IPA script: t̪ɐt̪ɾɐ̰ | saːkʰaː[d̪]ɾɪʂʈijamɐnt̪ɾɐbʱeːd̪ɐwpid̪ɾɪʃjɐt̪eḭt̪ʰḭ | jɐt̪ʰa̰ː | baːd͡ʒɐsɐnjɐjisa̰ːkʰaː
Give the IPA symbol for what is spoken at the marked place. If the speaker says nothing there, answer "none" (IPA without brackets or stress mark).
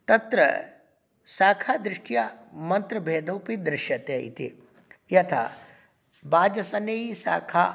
d̪